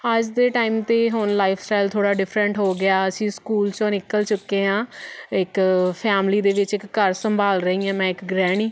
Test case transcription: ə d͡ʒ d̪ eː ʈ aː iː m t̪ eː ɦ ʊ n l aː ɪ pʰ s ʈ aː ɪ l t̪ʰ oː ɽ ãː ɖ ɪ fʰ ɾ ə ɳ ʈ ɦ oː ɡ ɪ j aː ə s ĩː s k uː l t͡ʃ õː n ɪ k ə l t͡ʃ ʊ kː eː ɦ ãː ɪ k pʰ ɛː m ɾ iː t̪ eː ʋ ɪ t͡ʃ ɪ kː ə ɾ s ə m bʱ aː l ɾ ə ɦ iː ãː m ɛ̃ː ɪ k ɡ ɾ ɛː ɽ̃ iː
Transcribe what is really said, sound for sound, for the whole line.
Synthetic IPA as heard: ə d͡ʒ d̪ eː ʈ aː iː m t̪ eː ɦ ʊ n l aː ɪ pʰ s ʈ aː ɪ l t̪ʰ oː ɽ aː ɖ ɪ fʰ ɾ ə ɳ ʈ ɦ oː ɡ ɪ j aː ə s ĩː s k uː l t͡ʃ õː n ɪ k ə l t͡ʃ ʊ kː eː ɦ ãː ɪ k pʰ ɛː m l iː d̪ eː ʋ ɪ t͡ʃ ɪ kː ə ɾ s ə m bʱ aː l ɾ ə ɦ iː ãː m ɛ̃ː ɪ k ɡ ɾ ɛː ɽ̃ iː